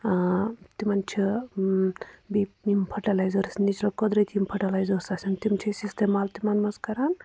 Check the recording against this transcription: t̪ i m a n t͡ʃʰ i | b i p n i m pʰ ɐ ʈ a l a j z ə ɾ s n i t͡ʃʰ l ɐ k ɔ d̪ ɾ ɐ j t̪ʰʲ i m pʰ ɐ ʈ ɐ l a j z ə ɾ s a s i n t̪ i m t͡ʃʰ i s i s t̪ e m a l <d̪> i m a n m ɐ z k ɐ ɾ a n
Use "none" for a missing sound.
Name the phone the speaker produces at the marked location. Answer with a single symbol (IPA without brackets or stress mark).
t̪